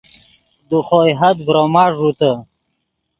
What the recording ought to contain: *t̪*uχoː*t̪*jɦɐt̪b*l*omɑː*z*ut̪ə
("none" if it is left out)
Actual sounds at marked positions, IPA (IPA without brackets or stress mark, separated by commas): d̪, none, ɾ, ʐ